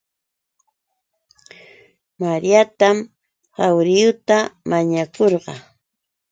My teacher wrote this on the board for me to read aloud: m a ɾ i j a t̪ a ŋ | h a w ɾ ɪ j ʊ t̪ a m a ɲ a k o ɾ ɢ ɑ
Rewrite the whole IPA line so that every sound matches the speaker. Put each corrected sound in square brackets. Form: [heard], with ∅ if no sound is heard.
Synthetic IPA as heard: m a ɾ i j a t̪ a [m] | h a w ɾ ɪ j ʊ t̪ a m a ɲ a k o ɾ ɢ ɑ